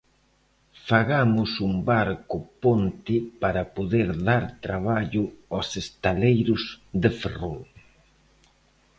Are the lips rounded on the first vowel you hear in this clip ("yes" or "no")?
no